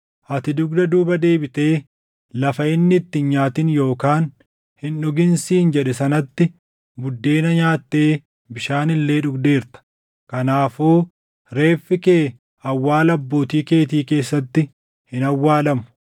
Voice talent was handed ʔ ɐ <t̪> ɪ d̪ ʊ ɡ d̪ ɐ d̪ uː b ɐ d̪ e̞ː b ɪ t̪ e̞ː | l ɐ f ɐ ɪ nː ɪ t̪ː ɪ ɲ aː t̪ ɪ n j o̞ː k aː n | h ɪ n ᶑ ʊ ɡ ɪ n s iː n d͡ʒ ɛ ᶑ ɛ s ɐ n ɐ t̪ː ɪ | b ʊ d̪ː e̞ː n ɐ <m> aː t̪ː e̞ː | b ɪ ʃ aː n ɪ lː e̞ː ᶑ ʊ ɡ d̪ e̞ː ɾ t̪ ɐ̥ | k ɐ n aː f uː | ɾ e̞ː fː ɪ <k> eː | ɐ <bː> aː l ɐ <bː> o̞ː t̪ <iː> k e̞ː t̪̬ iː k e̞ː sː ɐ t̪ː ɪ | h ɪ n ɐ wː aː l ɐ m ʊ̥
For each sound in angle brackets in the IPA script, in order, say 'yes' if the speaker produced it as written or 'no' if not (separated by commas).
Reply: yes, no, yes, no, yes, yes